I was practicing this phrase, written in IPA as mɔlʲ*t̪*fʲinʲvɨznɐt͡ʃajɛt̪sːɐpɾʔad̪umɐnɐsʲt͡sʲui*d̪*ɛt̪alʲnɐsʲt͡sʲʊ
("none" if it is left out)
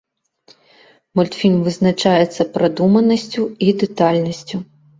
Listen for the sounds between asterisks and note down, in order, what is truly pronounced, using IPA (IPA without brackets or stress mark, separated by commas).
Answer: t̪, d̪